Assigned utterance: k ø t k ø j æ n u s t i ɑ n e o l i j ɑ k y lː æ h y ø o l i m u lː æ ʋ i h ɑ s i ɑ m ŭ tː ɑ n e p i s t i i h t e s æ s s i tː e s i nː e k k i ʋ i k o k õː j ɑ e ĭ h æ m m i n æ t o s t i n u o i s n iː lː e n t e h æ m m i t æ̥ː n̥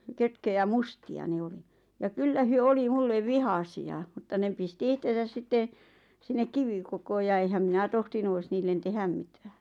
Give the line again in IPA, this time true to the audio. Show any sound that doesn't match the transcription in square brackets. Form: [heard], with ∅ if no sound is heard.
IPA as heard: k ø t k ø j æ [m] u s t i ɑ n e o l i j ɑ k y lː æ h y ø o l i m u lː [e] ʋ i h ɑ s i ɑ m ŭ tː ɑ n e p i s t i i h t e s æ s s i tː e s i nː e k k i ʋ i k o k [oː] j ɑ e ĭ h æ m m i n æ t o [h] t i n u o i s n iː lː e n t e h æ m m i t æ̥ː n̥

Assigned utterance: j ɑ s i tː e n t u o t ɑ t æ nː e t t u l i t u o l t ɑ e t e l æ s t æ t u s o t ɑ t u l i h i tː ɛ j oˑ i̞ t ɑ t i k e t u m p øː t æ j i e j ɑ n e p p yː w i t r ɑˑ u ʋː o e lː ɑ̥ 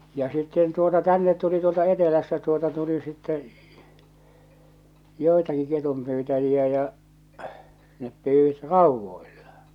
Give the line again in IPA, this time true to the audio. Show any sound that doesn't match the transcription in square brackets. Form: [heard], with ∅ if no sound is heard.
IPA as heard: j ɑ s i tː e n t u o t ɑ t æ nː e t t u l i t u o l t ɑ e t e l æ s t æ t u [∅] o t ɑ t u l i [s] i tː ɛ j oˑ i̞ t ɑ [k] i k e t u m p [yː] t æ j i [æ] j ɑ n e p p yː w i t r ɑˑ u ʋː o [i] lː ɑ̥

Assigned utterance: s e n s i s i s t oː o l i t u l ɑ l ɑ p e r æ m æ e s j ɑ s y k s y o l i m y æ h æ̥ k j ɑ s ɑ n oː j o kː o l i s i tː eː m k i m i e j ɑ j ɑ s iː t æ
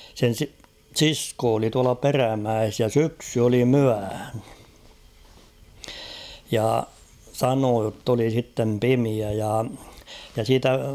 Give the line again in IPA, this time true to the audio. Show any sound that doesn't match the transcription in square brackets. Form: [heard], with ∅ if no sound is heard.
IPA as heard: s e n s i s i s [k] oː o l i t u [∅] ɑ l ɑ p e r æ m æ e s j ɑ s y k s y o l i m y æ h æ̥ [∅] j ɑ s ɑ n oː j o [tː] o l i s i tː [e] m [p] i m i [æ] j ɑ j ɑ s iː t æ

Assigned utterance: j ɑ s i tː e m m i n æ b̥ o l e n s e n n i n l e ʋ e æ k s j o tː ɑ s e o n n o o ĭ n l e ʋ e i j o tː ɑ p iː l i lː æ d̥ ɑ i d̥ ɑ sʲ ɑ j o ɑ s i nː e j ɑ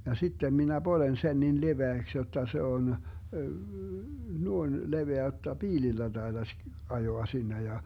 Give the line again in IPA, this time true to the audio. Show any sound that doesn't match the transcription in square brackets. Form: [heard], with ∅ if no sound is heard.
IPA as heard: j ɑ s i tː e m m i n æ b̥ o l e n s e n n i n l e ʋ e æ k s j o tː ɑ s e o n n [u] o ĭ n l e ʋ e [æ] j o tː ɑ p iː l i lː æ d̥ ɑ i d̥ ɑ sʲ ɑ j o ɑ s i nː e j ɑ

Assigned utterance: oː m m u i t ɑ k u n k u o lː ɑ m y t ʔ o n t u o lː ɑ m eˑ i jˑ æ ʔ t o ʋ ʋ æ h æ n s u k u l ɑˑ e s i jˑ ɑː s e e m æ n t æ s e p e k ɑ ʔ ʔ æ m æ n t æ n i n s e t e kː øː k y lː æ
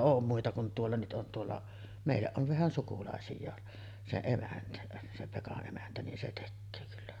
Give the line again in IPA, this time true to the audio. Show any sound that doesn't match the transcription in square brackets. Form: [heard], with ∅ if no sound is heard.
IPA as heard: oː m m u i t ɑ k u n [t] u o lː ɑ [n] y t ʔ o n t u o lː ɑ m eˑ i jˑ æ ʔ [ʔ] o ʋ ʋ æ h æ n s u k u l ɑˑ e s i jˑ ɑː s e e m æ n t æ s e p e k ɑ ʔ ʔ [e] m æ n t æ n i n s e t e kː øː k y lː æ

